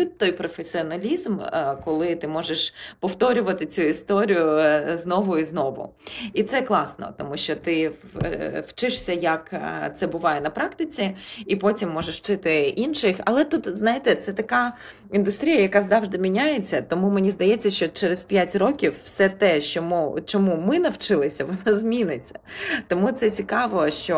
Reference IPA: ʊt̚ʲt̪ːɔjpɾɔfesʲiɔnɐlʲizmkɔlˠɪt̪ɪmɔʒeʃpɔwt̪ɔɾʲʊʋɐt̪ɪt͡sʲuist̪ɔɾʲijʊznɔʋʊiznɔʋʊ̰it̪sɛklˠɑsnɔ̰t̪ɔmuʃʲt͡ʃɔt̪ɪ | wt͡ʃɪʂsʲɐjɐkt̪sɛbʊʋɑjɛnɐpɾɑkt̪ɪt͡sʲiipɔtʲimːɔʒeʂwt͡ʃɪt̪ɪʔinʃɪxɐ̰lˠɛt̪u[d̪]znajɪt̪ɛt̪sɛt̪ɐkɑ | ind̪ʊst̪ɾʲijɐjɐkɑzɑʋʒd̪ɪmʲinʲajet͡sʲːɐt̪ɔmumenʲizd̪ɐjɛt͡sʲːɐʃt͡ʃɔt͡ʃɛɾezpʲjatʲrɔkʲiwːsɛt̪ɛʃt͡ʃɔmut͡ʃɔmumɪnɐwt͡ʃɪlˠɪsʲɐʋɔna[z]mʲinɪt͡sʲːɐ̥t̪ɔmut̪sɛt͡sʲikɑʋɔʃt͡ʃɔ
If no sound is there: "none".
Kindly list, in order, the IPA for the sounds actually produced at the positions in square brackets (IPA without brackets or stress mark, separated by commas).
t̪, z